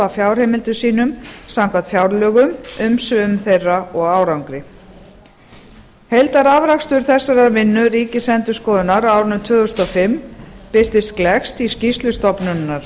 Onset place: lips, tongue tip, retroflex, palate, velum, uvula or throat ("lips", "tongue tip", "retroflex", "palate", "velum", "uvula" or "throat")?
lips